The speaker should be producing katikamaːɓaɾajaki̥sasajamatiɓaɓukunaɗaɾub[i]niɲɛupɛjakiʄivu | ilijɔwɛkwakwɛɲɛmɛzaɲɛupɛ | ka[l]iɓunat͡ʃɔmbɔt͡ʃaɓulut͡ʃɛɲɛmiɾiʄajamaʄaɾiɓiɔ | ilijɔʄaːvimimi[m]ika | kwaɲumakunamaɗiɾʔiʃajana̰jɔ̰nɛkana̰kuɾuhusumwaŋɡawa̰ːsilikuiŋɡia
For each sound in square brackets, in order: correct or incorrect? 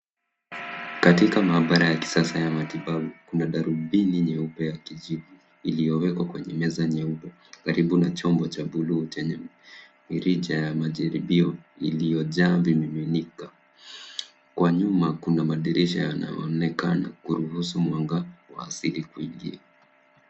correct, incorrect, incorrect

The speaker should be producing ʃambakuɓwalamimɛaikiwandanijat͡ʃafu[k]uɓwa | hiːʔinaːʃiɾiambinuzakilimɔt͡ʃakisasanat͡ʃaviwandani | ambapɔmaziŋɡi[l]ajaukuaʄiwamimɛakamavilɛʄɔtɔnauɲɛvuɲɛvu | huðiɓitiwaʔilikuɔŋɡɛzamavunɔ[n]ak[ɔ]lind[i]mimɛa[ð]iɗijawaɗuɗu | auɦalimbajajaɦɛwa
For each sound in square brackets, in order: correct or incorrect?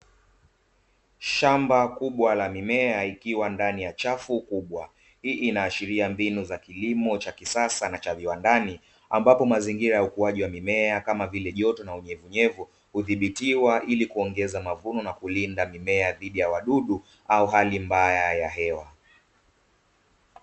correct, incorrect, correct, incorrect, incorrect, correct

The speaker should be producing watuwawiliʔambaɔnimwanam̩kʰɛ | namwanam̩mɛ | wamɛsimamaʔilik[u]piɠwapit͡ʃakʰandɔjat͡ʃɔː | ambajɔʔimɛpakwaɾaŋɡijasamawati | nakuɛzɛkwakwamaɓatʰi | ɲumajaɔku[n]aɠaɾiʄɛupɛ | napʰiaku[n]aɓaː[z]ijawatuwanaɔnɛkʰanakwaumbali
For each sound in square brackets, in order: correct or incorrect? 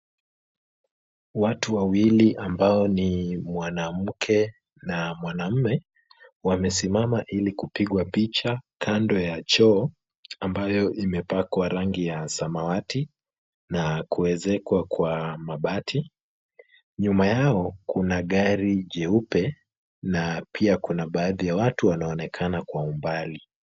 correct, correct, correct, incorrect

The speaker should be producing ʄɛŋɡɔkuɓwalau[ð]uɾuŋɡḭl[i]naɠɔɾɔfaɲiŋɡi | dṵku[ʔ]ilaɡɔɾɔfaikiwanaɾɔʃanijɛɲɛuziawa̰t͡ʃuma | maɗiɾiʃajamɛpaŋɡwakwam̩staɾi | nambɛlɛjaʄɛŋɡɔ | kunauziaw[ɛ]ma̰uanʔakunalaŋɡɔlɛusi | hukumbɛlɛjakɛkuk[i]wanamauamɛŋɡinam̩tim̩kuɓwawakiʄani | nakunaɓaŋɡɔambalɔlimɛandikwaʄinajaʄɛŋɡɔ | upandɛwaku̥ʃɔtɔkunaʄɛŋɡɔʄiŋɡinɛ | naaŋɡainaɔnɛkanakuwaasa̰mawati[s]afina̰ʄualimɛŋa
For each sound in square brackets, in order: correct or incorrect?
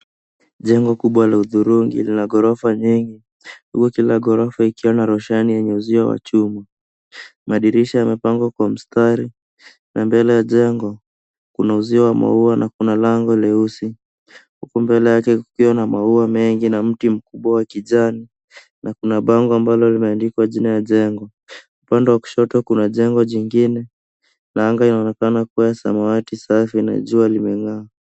correct, correct, incorrect, incorrect, correct, correct

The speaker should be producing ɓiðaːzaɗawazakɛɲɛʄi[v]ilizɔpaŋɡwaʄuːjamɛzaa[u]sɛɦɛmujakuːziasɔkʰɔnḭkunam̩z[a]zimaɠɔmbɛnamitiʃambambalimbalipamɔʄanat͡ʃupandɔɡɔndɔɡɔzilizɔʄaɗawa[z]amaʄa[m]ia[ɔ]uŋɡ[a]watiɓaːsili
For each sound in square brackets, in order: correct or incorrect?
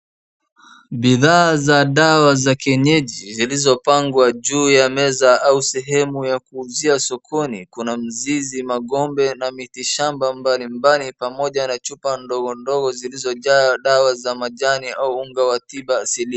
incorrect, correct, incorrect, correct, incorrect, incorrect, correct

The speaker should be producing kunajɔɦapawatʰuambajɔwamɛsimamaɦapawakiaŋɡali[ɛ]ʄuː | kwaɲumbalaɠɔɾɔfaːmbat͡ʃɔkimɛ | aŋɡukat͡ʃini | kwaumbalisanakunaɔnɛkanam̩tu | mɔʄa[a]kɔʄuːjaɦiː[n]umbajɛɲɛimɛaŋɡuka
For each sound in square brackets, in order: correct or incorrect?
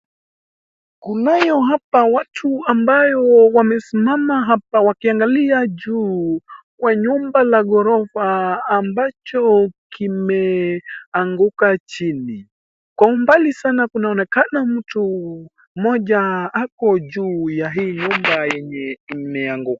incorrect, correct, incorrect

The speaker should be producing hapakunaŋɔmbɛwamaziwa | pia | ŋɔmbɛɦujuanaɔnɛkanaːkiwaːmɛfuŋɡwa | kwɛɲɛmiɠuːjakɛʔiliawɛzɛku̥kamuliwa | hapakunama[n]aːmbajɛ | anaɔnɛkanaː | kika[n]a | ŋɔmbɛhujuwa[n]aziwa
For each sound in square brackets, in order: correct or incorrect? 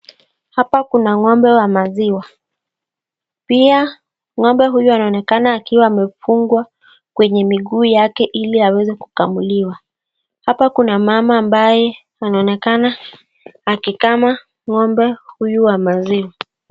incorrect, incorrect, incorrect

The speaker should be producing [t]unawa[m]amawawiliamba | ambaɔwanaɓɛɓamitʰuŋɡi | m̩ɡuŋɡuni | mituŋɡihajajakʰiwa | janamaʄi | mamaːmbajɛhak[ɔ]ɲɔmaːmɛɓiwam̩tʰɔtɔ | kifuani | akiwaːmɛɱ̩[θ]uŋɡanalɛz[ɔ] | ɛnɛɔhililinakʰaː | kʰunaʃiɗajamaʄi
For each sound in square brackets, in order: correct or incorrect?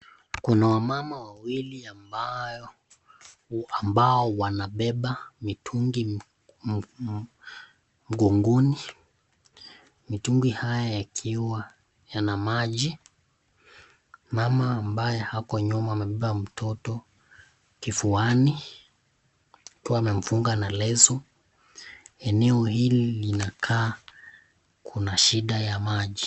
incorrect, correct, correct, incorrect, correct

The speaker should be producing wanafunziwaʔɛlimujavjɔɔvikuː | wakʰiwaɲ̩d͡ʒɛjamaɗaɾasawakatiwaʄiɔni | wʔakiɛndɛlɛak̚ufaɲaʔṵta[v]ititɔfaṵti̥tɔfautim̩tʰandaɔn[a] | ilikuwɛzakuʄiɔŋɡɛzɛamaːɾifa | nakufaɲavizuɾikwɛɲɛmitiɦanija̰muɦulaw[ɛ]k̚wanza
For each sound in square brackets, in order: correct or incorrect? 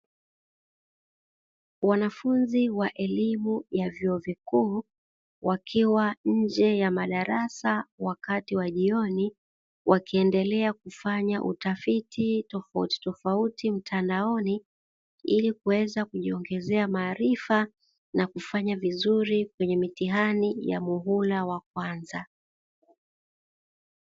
incorrect, incorrect, incorrect

